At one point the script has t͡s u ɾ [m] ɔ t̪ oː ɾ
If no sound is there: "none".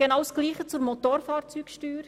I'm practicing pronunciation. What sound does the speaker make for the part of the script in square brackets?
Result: m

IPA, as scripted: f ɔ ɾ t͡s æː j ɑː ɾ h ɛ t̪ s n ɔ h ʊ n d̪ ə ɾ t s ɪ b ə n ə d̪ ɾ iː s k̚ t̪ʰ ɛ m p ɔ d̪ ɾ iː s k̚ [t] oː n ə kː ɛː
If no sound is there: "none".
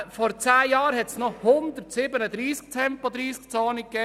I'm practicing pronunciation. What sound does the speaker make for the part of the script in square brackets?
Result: t͡s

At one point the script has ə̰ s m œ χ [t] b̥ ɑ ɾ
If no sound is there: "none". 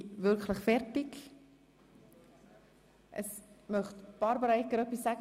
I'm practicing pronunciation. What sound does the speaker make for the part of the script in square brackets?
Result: t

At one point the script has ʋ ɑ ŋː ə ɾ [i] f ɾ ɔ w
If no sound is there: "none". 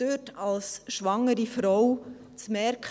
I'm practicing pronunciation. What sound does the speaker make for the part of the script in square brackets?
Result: i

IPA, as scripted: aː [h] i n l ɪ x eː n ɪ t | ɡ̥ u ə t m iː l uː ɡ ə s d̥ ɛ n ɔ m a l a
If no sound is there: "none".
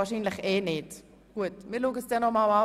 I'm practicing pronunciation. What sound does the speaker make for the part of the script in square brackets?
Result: ʃ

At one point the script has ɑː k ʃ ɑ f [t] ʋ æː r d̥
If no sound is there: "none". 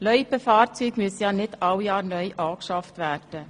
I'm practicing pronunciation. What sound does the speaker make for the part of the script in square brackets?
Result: t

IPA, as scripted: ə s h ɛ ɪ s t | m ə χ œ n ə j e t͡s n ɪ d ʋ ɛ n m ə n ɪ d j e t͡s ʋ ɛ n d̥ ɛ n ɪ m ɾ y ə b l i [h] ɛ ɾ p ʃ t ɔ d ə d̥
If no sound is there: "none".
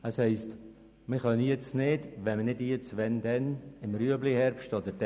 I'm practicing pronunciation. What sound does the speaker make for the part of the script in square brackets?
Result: h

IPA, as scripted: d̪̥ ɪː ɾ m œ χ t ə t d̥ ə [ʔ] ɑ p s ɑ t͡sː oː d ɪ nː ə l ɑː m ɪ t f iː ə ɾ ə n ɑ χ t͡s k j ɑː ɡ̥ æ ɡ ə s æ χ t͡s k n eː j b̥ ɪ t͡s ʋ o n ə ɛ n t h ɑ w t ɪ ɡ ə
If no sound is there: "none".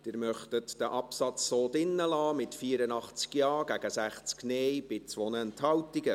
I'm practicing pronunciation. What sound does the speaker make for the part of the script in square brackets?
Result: ʔ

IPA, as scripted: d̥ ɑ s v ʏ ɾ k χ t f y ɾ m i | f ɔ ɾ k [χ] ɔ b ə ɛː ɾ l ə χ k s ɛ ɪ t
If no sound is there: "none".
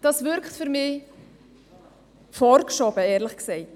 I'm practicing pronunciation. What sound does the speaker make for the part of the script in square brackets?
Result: ʃ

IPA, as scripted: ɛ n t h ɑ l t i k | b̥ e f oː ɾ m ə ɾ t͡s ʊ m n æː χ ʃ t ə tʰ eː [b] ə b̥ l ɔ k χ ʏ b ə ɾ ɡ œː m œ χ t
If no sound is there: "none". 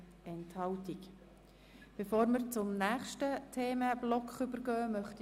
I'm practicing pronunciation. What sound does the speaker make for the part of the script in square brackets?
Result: m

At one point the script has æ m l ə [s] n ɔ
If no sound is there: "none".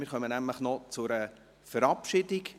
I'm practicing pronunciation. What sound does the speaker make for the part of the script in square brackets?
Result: χ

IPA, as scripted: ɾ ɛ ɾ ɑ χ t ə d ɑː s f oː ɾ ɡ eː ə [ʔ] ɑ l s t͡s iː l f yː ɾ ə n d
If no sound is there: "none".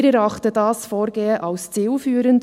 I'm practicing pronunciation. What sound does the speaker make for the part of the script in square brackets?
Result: ʔ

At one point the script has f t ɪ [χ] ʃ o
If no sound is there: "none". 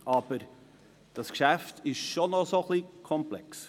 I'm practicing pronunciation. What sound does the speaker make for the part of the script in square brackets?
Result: ʃ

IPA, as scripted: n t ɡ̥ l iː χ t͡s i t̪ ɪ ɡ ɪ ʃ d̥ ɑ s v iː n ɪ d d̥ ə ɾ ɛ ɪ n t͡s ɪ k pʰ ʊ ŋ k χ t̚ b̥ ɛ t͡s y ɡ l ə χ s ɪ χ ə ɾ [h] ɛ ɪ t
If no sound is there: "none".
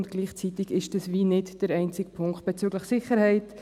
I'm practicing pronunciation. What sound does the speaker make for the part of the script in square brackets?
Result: h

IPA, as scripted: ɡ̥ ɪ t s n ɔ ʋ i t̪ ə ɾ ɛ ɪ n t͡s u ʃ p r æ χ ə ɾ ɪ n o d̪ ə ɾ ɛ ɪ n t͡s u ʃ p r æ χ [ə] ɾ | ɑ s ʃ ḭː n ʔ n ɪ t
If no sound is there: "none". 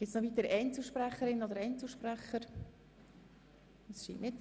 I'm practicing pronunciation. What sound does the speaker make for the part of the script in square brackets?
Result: ə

